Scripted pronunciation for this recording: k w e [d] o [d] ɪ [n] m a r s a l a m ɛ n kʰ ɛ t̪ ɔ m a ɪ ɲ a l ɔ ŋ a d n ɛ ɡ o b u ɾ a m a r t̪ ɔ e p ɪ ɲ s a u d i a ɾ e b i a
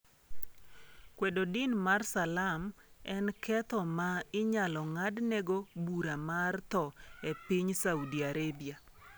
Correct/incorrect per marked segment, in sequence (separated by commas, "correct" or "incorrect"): correct, correct, correct